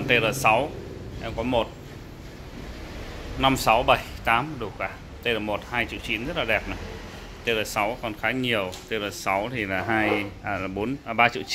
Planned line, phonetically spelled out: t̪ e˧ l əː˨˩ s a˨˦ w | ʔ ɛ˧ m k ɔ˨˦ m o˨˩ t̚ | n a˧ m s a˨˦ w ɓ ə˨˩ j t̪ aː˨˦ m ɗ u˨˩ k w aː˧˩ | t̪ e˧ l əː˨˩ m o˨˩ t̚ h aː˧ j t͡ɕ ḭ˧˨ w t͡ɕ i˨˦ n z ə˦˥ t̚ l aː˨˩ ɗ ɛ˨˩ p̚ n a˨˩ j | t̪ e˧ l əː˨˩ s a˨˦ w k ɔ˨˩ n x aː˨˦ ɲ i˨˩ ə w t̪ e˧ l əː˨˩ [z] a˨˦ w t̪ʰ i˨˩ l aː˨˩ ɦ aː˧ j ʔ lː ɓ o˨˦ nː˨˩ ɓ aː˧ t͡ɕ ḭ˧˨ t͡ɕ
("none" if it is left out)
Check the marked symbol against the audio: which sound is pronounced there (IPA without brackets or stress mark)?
s